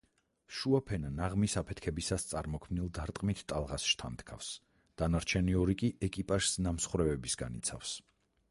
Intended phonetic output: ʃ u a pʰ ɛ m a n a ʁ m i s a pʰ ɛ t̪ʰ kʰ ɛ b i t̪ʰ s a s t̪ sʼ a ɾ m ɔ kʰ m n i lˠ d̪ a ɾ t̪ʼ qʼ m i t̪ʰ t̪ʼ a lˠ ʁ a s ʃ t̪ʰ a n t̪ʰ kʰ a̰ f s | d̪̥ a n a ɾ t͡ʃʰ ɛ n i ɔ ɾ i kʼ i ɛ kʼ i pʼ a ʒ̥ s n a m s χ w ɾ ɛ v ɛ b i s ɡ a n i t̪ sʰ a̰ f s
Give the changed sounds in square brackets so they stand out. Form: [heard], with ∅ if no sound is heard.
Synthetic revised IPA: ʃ u a pʰ ɛ [n] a n a ʁ m i s a pʰ ɛ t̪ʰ kʰ ɛ b i [∅] s a s t̪ sʼ a ɾ m ɔ kʰ m n i lˠ d̪ a ɾ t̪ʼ qʼ m i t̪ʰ t̪ʼ a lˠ ʁ a s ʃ t̪ʰ a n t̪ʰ kʰ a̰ f s | d̪̥ a n a ɾ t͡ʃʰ ɛ n i ɔ ɾ i kʼ i ɛ kʼ i pʼ a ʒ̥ s n a m s χ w ɾ ɛ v ɛ b i s ɡ a n i t̪ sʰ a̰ f s